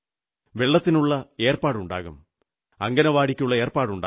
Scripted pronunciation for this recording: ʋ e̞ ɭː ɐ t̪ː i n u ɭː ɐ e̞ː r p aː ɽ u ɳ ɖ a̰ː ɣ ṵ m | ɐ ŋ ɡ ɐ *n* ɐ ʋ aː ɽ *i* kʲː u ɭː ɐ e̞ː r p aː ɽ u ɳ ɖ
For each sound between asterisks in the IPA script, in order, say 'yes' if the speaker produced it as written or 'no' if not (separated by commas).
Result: yes, yes